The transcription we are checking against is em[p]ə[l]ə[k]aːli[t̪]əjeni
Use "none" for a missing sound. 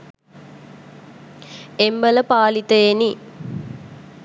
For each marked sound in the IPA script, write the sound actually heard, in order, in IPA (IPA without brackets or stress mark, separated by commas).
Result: b, l, p, t̪